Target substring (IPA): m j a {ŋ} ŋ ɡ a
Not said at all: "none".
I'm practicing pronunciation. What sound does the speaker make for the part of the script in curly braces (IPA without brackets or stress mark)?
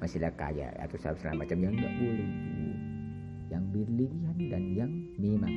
ŋ